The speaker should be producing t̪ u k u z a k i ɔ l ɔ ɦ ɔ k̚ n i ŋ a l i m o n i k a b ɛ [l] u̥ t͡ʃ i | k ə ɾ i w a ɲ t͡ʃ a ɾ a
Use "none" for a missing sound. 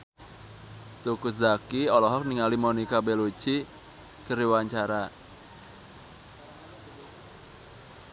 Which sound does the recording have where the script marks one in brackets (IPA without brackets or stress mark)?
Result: l